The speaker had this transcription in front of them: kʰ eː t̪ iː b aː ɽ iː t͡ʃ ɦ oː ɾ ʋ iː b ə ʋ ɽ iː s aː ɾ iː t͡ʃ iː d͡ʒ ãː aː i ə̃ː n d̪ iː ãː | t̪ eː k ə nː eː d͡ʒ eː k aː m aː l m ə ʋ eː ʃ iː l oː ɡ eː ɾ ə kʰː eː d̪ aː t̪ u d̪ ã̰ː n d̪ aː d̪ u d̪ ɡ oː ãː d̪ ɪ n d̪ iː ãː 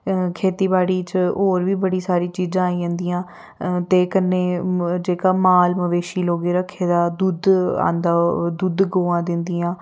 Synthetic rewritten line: kʰ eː t̪ iː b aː ɽ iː t͡ʃ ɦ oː ɾ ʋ iː b ə ɽ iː s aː ɾ iː t͡ʃ iː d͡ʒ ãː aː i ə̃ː n d̪ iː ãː | t̪ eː k ə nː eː d͡ʒ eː k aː m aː l m ə ʋ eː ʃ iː l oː ɡ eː ɾ ə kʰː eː d̪ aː d̪ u d̪ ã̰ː n d̪ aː d̪ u d̪ ɡ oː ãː d̪ ɪ n d̪ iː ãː

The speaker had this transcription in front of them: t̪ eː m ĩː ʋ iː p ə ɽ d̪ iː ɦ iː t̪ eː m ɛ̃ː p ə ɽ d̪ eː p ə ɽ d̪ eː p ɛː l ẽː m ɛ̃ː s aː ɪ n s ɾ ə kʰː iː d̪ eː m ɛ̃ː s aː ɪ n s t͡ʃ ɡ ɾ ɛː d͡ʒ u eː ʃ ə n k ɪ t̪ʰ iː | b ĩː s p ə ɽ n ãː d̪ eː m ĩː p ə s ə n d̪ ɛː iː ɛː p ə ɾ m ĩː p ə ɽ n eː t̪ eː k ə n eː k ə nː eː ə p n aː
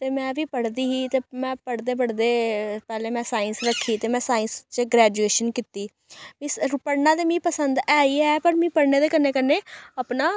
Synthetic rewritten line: t̪ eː m ɛ̃ː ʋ iː p ə ɽ d̪ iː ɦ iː t̪ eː m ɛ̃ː p ə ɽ d̪ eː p ə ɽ d̪ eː p ɛː l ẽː m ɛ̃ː s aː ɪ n s ɾ ə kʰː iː t̪ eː m ɛ̃ː s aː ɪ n s t͡ʃ ɡ ɾ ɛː d͡ʒ u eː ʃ ə n k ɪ t̪ iː | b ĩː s p ə ɽ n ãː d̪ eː m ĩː p ə s ə n d̪ ɛː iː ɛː p ə ɾ m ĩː p ə ɽ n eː d̪ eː k ə n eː k ə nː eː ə p n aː

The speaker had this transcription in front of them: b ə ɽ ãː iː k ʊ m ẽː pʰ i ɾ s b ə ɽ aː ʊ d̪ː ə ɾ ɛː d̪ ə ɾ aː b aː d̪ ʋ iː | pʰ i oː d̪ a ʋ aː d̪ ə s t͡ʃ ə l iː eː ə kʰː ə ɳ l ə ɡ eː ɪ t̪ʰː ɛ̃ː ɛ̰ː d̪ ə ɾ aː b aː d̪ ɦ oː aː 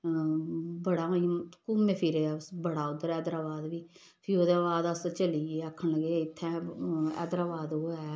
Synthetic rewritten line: b ə ɽ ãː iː k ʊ m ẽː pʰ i ɾ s b ə ɽ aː ʊ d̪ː ə ɾ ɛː d̪ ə ɾ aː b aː d̪ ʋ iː | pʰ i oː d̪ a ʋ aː d̪ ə s t͡ʃ ə l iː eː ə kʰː ə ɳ l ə ɡ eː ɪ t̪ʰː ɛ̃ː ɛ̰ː d̪ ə ɾ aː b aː d̪ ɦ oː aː

